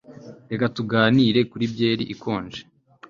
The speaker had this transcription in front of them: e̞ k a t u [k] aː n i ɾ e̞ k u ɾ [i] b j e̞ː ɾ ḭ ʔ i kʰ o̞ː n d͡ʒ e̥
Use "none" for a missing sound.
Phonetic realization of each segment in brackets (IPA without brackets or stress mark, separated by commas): ɡ, i